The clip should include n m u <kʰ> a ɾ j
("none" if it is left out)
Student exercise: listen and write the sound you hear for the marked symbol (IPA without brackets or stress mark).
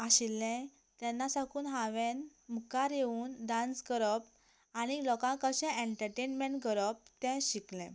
k